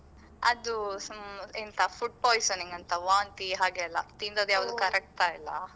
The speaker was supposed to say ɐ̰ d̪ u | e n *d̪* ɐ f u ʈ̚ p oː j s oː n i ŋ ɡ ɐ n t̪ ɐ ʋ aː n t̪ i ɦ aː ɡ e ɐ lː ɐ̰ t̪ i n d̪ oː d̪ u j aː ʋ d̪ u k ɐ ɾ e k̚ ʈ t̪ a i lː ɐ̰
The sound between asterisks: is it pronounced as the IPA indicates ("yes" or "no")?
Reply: no